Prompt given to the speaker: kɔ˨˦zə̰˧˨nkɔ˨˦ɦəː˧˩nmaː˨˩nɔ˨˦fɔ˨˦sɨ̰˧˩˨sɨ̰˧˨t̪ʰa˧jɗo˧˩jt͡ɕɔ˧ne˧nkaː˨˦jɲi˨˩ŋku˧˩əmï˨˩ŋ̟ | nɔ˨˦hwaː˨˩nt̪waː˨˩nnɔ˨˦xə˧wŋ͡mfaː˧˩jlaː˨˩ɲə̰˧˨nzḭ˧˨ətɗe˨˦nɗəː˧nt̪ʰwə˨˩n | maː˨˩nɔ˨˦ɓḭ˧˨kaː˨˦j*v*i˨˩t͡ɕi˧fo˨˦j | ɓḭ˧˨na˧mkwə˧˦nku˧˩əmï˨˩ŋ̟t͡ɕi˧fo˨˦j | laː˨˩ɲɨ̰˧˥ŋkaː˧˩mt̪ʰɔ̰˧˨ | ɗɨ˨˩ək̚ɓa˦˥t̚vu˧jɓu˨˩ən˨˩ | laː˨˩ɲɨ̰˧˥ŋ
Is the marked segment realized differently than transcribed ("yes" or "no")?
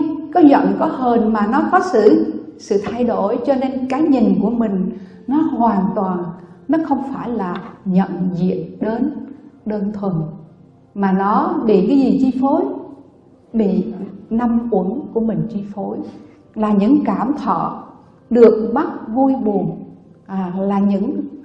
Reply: yes